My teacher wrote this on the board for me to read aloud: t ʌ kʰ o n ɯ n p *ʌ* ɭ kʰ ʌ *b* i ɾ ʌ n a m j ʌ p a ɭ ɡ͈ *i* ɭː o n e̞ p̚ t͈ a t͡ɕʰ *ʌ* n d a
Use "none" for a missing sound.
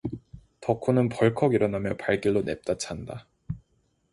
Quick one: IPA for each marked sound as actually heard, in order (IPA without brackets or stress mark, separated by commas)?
ʌ, ɡ, i, a